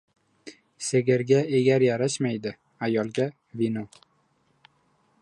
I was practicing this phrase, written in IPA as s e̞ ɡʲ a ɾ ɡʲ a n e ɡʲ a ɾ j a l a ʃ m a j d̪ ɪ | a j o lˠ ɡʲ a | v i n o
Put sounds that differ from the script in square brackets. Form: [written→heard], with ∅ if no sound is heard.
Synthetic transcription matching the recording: s e̞ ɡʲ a ɾ ɡʲ a [n→∅] e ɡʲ a ɾ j a [l→ɾ] a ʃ m a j d̪ ɪ | a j [o→ɒ] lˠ ɡʲ a | v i n o